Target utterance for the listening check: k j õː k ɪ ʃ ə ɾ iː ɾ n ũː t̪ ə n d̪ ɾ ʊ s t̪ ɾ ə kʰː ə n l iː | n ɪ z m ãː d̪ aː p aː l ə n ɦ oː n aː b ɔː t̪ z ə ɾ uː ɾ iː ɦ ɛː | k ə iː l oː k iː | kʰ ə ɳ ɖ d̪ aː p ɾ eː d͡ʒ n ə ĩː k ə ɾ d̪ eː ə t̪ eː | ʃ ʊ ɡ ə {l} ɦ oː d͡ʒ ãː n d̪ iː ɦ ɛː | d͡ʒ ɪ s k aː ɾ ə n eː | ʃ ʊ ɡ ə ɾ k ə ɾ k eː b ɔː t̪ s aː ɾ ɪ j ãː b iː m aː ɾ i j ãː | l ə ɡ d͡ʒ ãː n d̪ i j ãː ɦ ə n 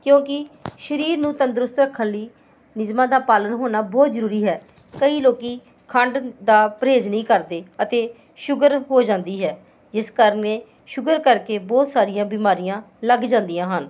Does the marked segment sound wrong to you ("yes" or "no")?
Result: yes